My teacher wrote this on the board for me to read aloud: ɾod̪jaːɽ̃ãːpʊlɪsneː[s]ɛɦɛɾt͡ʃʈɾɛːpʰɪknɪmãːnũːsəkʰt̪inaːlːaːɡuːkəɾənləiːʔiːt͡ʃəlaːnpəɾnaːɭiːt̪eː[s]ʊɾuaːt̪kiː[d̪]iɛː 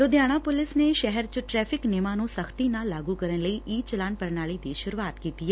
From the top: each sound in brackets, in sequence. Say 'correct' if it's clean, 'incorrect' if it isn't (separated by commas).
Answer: incorrect, incorrect, incorrect